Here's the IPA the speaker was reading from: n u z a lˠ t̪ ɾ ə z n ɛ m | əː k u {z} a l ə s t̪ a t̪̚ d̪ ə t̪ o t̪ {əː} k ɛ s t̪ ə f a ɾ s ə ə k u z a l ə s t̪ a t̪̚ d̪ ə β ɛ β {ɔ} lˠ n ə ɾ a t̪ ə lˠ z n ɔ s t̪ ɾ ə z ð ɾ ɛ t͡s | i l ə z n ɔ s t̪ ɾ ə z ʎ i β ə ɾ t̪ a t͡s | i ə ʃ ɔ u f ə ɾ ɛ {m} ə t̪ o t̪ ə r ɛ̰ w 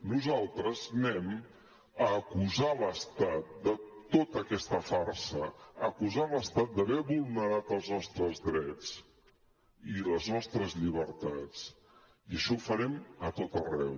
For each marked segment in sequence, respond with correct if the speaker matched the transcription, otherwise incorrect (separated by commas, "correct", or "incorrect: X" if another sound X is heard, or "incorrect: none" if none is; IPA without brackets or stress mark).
correct, incorrect: ə, incorrect: u, correct